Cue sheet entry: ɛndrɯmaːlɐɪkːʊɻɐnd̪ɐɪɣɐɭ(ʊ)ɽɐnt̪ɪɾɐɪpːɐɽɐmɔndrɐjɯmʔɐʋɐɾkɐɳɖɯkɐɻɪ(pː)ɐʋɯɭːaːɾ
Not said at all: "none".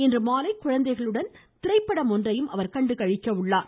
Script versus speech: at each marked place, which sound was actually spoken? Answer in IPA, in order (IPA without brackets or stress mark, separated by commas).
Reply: ɯ, kː